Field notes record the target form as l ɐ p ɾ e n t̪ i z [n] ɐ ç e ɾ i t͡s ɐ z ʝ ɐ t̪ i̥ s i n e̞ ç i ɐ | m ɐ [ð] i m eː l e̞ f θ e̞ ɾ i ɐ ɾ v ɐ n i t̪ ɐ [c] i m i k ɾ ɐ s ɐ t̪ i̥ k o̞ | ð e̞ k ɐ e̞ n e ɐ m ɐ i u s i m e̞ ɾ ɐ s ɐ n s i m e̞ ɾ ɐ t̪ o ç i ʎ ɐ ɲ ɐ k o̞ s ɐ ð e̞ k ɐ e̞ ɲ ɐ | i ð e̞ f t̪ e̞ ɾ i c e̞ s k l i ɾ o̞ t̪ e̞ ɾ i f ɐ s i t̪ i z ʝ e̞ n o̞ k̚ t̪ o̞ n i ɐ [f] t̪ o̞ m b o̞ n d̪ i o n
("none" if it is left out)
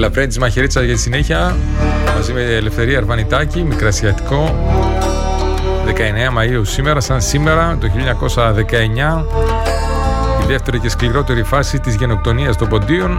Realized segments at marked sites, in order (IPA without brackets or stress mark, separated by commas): m, z, c, s